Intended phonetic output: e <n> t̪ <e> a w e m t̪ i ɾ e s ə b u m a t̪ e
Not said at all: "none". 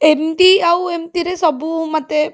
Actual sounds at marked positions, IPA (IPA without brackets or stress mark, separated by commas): m, i